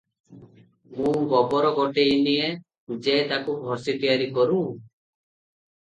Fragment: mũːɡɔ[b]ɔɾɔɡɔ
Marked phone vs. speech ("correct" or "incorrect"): correct